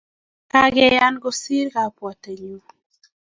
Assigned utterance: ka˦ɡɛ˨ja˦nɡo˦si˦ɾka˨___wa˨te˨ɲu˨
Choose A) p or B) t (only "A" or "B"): A